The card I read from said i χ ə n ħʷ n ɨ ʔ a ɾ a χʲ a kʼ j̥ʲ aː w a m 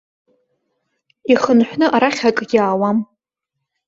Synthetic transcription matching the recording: i χ ə n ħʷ n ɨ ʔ a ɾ a χʲ a kʼ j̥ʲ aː w a m